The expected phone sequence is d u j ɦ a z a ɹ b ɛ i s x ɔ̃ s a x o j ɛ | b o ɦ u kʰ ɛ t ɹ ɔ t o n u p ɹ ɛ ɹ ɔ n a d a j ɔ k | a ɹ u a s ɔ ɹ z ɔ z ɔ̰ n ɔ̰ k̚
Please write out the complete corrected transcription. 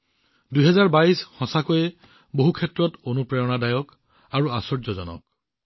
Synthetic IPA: d u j ɦ ɛ z a ɹ b a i s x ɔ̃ s a k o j ɛ | b o ɦ u kʰ ɛ t ɹ ɔ t o n u p ɹ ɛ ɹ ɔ n a d a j ɔ k | a ɹ u a s ɔ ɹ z ɔ z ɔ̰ n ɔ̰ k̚